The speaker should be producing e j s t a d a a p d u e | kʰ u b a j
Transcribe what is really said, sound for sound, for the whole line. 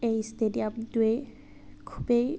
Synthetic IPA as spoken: e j s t e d i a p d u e | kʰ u b e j